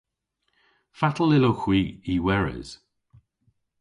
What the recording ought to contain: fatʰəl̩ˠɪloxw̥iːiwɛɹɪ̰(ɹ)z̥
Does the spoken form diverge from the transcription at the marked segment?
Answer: yes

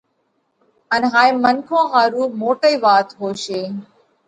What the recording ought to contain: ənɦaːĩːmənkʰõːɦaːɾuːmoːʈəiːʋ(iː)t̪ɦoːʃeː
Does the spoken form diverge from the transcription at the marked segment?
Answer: yes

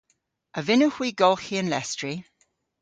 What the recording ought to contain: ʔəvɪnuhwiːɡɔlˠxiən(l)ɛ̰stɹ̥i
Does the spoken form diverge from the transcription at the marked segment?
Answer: no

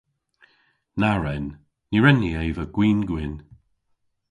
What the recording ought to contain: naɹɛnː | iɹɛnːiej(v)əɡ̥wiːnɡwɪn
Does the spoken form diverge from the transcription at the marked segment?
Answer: no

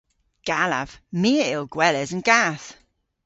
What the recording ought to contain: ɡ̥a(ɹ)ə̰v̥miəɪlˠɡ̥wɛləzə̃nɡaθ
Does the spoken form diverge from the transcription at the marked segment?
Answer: yes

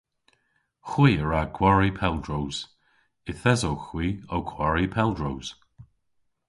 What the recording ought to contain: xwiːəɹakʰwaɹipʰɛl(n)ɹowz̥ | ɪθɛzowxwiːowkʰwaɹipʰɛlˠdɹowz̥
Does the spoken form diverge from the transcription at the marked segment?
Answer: yes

